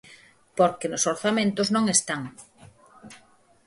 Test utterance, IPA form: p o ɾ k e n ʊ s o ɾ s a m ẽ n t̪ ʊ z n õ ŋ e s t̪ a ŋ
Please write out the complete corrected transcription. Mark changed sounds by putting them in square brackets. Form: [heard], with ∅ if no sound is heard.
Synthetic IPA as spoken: p o ɾ k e n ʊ s o ɾ [θ] a m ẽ n t̪ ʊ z n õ ŋ e s t̪ a ŋ